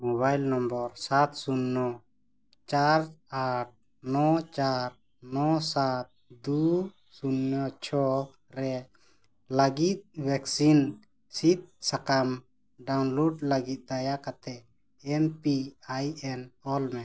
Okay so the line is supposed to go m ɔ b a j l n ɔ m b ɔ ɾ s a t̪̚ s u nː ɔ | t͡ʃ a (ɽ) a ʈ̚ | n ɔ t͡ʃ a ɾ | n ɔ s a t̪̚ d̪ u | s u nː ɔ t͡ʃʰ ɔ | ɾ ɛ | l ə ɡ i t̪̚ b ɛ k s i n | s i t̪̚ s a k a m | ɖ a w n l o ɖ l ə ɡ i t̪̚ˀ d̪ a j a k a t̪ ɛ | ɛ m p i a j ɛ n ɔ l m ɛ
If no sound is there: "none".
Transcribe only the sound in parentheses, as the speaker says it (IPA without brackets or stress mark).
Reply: ɾ